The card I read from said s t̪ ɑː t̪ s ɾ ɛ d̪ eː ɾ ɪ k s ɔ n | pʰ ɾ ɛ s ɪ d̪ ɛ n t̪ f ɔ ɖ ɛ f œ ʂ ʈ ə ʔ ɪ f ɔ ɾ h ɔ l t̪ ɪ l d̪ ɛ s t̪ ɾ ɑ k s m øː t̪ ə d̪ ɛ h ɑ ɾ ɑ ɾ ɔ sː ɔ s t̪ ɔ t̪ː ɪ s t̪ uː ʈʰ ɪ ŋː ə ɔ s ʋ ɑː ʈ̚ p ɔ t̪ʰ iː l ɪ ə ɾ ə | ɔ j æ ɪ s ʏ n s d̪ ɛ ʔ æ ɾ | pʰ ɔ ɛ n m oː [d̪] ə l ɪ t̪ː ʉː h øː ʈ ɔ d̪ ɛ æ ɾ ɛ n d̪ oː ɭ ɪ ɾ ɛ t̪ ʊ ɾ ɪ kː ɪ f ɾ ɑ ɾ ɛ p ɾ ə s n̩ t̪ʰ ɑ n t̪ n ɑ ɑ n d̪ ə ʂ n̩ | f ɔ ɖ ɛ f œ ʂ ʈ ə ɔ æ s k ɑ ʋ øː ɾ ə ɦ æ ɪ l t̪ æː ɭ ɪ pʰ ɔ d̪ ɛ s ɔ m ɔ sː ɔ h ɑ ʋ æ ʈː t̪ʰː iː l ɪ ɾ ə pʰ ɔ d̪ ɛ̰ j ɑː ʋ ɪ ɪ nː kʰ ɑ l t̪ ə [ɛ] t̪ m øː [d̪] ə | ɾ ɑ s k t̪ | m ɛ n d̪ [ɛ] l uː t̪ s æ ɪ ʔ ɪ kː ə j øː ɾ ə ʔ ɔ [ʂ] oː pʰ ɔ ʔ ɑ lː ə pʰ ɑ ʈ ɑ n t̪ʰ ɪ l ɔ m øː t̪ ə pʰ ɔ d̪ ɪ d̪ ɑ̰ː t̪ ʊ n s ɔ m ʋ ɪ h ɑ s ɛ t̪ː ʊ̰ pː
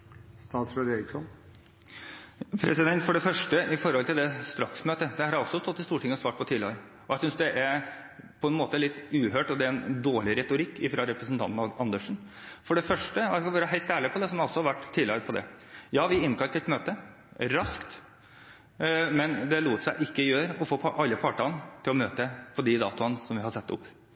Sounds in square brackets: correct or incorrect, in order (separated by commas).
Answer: incorrect, correct, incorrect, correct, incorrect